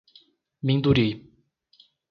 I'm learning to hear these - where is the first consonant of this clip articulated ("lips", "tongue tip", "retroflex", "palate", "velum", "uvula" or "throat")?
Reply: lips